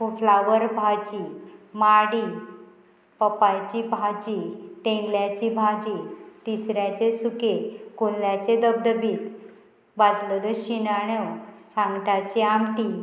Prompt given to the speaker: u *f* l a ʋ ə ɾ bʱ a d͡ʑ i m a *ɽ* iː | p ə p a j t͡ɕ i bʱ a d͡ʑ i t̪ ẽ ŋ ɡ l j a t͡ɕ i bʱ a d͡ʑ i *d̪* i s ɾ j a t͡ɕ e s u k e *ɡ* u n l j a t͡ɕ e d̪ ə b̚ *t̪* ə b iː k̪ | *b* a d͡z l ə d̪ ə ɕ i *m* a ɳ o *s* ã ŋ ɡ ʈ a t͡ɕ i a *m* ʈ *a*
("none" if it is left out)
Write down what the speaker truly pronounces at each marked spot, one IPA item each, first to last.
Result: f, ɽ, t̪, k, d̪, b, n, s, m, i

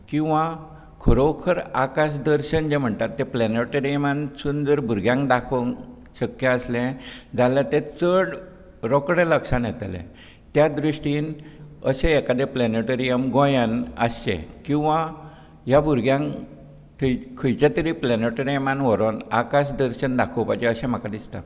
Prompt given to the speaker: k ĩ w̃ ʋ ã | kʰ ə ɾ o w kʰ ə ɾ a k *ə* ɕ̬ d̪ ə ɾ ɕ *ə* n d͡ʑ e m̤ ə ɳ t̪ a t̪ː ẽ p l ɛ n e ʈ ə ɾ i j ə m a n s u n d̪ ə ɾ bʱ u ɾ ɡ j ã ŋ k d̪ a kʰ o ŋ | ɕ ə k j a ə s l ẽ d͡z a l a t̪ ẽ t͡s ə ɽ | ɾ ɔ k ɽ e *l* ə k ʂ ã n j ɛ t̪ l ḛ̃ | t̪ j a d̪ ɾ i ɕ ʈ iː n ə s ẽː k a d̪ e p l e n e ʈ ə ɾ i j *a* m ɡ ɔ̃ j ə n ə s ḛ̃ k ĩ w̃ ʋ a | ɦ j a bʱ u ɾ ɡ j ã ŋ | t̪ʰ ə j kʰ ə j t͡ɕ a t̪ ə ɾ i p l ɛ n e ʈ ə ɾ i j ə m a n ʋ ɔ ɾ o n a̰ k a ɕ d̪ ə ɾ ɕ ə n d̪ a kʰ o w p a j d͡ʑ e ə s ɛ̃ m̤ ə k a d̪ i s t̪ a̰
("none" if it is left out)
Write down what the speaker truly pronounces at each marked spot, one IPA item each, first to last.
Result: a, ə, l, ə

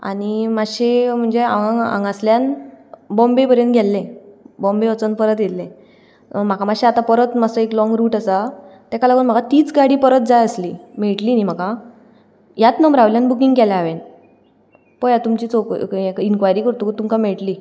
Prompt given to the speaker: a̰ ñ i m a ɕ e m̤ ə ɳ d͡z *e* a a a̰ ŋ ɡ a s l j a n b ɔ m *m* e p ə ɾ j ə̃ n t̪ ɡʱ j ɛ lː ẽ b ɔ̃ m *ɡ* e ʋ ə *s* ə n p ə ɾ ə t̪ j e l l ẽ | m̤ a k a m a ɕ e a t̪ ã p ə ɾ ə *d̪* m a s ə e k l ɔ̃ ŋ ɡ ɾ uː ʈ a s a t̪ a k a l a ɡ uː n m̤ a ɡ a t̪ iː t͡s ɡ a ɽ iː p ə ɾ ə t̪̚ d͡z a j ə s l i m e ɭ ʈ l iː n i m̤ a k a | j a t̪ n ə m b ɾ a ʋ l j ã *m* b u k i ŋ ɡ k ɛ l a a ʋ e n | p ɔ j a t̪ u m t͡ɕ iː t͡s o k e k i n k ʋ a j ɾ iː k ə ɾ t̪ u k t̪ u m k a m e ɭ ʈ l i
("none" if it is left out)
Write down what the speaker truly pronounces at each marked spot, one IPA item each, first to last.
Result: e, b, b, t͡s, t̪, n

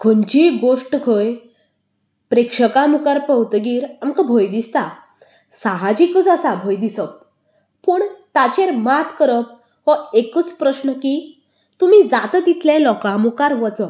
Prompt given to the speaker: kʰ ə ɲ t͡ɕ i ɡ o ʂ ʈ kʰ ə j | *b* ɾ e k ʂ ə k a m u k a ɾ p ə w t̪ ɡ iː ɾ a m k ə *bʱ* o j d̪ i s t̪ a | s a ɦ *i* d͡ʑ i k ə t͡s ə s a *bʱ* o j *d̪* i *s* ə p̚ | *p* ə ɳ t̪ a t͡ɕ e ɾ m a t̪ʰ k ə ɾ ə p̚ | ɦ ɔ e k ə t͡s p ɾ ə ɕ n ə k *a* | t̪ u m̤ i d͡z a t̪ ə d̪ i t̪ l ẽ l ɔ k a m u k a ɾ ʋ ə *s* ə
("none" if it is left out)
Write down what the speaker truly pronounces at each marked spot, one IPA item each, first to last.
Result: p, bʱ, a, bʱ, d̪, s, p, i, t͡s

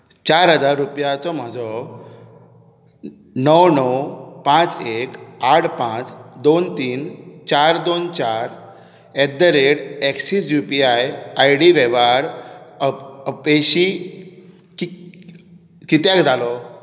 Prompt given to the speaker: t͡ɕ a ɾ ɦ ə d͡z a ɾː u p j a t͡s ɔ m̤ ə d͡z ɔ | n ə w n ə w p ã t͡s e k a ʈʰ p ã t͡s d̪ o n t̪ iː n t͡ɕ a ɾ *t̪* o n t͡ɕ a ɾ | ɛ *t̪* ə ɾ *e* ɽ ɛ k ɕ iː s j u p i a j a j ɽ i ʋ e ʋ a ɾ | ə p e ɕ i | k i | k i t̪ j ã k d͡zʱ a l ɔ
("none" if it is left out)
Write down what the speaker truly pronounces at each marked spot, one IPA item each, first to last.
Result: d̪, d̪, e

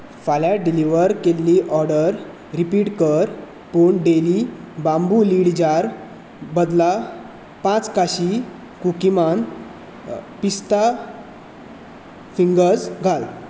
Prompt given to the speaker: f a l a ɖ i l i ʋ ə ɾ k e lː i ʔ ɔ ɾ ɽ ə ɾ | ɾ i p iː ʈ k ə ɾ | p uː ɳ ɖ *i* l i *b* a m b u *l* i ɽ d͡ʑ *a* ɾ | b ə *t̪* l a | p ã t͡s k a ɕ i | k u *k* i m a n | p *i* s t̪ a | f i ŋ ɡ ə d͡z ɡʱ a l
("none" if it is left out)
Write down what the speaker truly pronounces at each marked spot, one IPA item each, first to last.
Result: e, b, l, a, d̪, k, i

